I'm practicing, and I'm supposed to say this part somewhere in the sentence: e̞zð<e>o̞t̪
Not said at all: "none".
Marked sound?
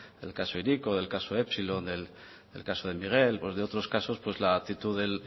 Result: e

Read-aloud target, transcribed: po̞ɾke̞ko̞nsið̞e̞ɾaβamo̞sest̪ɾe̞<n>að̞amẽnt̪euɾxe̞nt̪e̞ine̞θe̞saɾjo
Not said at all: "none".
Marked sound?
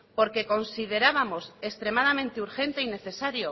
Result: m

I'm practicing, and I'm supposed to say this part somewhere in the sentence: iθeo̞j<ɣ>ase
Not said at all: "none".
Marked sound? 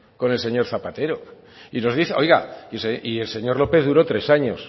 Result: ɣ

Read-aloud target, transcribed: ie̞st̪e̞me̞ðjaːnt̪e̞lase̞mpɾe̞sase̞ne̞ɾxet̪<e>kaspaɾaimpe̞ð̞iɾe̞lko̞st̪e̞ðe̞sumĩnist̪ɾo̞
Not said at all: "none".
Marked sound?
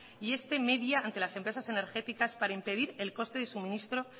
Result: i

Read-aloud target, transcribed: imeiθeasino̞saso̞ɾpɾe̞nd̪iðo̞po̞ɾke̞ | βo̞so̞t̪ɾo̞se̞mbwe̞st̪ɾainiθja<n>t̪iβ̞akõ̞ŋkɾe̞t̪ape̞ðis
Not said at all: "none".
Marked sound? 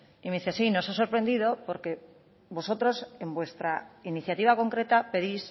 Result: none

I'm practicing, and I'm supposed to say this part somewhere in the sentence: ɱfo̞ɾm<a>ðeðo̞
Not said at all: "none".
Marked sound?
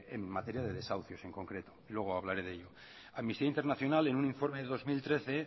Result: e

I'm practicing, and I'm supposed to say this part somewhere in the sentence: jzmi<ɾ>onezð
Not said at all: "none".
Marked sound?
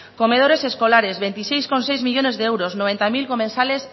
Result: ʎ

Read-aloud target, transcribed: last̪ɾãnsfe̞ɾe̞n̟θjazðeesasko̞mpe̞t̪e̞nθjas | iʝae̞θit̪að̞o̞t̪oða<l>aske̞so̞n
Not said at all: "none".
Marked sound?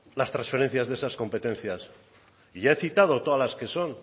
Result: l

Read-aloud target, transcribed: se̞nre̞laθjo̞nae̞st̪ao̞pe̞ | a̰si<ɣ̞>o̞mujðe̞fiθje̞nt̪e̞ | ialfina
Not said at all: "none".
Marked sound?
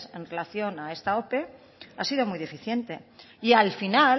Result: ð̞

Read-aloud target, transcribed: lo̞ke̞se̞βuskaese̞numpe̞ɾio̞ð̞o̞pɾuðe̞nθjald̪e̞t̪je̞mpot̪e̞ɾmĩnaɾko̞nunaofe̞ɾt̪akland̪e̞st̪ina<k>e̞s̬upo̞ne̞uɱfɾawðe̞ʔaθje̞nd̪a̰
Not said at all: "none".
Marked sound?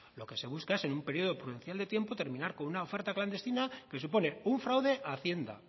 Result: k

